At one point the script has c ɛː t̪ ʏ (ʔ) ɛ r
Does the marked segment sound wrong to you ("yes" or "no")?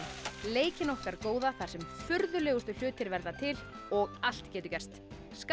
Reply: yes